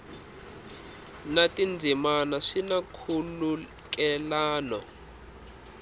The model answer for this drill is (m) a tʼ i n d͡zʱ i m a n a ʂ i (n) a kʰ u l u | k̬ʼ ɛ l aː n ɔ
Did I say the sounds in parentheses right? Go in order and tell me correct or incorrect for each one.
incorrect, correct

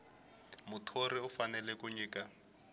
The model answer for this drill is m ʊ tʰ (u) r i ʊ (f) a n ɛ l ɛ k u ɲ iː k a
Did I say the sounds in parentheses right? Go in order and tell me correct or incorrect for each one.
incorrect, correct

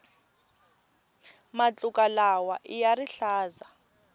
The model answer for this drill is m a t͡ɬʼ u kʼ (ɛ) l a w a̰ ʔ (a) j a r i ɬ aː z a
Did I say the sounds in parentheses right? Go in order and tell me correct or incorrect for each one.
incorrect, incorrect

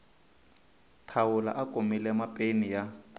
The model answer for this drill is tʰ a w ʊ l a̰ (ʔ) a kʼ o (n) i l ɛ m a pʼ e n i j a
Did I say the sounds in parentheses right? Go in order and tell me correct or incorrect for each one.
correct, incorrect

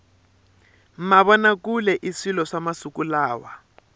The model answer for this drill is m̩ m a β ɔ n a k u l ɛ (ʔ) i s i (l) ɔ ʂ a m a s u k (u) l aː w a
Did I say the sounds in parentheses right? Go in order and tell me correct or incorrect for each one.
correct, correct, correct

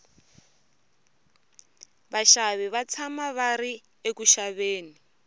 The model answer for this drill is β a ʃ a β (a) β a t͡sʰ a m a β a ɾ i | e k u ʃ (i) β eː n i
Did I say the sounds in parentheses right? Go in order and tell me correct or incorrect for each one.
incorrect, incorrect

